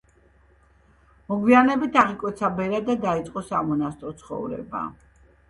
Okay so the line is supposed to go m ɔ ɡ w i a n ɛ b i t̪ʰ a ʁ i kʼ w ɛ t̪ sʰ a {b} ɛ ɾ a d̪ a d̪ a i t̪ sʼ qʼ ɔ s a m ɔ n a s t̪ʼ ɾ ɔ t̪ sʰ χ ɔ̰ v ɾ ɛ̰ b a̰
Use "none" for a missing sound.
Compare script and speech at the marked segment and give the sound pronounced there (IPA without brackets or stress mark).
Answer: b